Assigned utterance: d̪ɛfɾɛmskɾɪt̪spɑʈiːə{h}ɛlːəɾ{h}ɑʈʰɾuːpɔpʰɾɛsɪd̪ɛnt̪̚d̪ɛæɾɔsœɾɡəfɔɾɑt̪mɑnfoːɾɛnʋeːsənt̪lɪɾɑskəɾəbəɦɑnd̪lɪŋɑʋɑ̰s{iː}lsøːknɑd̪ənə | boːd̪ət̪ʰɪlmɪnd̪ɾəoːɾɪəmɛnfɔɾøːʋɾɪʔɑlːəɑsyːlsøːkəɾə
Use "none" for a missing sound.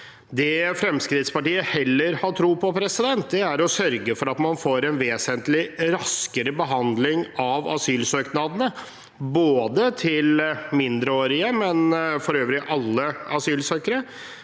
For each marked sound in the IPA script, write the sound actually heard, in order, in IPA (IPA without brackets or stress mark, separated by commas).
h, h, yː